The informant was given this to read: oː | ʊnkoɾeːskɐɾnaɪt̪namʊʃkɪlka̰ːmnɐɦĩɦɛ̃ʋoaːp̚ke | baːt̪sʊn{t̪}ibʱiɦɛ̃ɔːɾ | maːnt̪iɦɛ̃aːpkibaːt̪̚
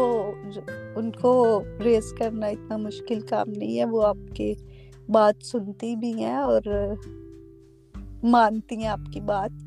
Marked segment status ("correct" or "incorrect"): correct